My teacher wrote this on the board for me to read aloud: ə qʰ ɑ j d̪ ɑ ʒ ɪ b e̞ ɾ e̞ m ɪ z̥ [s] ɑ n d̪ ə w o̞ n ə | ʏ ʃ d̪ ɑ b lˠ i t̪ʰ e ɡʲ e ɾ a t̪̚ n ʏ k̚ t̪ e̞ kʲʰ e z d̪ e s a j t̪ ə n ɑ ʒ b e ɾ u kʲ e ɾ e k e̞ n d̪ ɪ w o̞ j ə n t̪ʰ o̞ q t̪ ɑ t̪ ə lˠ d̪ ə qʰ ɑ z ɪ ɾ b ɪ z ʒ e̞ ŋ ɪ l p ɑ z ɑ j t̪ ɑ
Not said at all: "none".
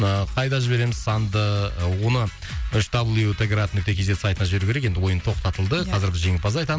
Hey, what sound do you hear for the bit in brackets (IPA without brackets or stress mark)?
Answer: s